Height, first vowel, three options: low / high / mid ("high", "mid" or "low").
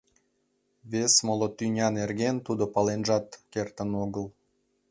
mid